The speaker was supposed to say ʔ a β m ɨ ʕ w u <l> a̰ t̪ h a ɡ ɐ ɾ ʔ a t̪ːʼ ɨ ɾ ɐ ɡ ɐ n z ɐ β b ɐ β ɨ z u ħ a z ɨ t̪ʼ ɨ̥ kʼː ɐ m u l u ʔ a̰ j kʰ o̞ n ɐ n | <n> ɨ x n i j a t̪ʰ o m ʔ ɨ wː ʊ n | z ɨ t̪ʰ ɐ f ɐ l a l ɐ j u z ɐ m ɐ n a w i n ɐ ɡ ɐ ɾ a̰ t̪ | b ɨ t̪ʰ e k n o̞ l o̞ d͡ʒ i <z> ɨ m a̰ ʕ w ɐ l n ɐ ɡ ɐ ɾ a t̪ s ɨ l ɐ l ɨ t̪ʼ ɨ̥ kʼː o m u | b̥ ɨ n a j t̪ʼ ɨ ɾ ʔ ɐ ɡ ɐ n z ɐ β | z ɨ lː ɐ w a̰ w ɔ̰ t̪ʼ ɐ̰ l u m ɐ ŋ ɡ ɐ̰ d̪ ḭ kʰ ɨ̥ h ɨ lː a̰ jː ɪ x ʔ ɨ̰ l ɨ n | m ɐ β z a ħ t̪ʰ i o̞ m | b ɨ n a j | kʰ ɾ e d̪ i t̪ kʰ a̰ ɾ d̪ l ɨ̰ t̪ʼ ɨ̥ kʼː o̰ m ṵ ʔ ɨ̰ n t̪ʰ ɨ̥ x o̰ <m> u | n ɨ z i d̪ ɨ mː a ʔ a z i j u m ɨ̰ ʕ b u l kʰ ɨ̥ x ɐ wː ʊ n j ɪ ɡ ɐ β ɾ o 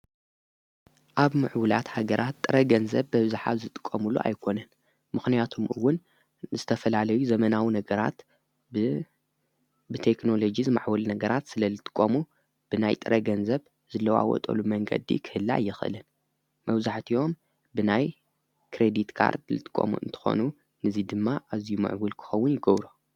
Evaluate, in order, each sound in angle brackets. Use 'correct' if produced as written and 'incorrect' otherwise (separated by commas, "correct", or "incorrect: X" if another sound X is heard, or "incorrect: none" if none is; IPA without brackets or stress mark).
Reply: correct, incorrect: m, correct, incorrect: n